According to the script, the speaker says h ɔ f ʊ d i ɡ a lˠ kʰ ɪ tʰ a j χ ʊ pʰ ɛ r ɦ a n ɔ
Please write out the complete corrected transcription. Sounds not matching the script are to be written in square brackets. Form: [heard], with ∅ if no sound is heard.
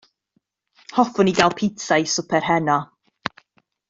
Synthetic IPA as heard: h ɔ f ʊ [n] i ɡ a lˠ [pʰ] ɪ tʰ a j [s] ʊ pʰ ɛ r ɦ [ɛ] n ɔ

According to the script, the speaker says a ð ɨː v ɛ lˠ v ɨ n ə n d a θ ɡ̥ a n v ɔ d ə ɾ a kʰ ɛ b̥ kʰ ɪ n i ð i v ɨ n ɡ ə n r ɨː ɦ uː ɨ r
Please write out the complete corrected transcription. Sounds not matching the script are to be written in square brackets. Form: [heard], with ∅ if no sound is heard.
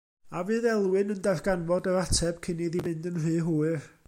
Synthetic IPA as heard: a [v] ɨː [ð] ɛ lˠ [w] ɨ n ə n d a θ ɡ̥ a n v ɔ d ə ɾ a [tʰ] ɛ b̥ kʰ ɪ n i ð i v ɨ n [d] ə n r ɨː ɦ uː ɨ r

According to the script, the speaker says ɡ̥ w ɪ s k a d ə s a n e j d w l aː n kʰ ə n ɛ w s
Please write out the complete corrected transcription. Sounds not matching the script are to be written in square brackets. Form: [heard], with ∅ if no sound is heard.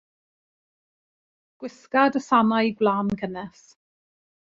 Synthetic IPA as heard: ɡ̥ w ɪ s k a d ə s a n [a] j [ɡ] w l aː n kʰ ə n ɛ [∅] s

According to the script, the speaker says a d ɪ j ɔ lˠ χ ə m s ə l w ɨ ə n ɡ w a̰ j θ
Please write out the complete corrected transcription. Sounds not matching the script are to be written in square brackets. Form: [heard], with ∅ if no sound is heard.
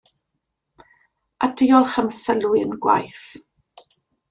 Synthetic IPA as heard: a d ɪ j ɔ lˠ χ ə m s ə l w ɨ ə n ɡ w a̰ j θ

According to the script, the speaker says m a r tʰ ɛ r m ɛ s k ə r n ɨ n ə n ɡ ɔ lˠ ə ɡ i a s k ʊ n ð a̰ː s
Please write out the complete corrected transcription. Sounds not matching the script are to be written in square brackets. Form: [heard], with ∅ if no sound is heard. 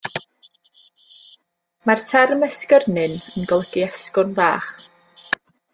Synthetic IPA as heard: m a r tʰ ɛ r m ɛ s k ə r n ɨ n ə n ɡ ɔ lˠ ə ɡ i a s k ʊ n [v] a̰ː [χ]

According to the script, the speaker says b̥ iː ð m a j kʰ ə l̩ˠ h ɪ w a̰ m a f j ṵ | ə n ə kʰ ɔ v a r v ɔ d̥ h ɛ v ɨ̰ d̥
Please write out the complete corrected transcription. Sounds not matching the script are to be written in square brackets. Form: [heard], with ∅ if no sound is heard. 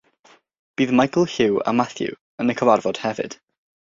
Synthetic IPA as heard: b̥ iː ð m a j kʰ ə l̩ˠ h ɪ w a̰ m a [θ] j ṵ | ə n ə kʰ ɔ v a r v ɔ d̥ h ɛ v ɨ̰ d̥

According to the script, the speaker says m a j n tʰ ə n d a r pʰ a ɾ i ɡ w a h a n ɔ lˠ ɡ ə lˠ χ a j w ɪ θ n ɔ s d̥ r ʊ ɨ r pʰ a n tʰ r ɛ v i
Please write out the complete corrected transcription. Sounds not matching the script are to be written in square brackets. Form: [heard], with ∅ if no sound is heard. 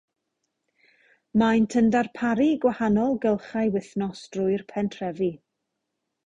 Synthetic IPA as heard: m a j n tʰ ə n d a r pʰ a ɾ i ɡ w a h a n ɔ lˠ ɡ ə lˠ χ a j w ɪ θ n ɔ s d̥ r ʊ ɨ r pʰ [ɛ] n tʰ r ɛ v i

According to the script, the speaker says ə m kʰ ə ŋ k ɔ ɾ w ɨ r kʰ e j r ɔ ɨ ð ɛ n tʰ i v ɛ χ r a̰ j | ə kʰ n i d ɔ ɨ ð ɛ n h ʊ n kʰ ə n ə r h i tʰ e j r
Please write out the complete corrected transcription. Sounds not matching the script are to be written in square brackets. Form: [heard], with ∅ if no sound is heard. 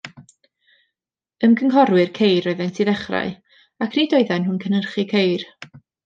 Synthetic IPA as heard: ə m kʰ ə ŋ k ɔ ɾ w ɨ r kʰ e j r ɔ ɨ ð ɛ n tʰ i [ð] ɛ χ r a̰ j | [a] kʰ n i d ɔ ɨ ð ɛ n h ʊ n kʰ ə n ə r [χ] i [kʰ] e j r

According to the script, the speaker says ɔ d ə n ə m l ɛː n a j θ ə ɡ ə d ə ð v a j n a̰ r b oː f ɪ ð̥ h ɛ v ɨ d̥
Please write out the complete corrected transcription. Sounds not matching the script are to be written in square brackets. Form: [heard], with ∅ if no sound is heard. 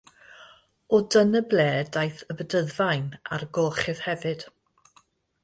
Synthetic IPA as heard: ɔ d ə n ə [b] l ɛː [d] a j θ ə [b] ə d ə ð v a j n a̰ r [ɡ] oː [χ] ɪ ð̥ h ɛ v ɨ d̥

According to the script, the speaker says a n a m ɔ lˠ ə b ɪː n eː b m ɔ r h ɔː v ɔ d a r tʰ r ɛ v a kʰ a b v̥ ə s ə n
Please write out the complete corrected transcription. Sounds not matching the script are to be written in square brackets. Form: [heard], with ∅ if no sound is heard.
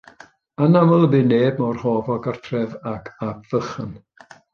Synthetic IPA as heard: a n a m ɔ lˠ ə b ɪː n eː b m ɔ r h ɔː v ɔ [ɡ] a r tʰ r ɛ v a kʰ a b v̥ ə [χ] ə n

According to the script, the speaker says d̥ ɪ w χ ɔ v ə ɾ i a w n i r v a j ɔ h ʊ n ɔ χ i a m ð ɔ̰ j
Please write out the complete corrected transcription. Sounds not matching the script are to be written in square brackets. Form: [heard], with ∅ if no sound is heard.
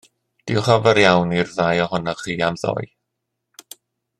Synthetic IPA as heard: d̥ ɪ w χ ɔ v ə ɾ [j] a w n i r [ð] a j ɔ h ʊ n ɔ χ [iː] a m ð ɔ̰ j

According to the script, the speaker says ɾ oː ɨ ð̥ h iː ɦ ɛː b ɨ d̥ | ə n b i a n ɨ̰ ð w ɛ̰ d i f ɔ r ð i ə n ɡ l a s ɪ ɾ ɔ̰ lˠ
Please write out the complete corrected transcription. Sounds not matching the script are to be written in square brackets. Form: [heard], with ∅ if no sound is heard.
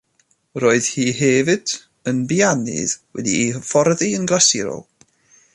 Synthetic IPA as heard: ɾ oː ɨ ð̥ h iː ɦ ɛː [v] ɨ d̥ | ə n b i a n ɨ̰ ð w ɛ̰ d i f ɔ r ð i ə n ɡ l a s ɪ ɾ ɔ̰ lˠ

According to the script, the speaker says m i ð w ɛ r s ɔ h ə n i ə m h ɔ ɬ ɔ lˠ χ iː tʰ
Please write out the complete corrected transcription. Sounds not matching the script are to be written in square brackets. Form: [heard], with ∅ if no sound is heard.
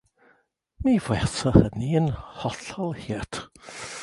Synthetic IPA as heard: m i [v] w ɛ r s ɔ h ə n i ə [n] h ɔ ɬ ɔ lˠ [h] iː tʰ

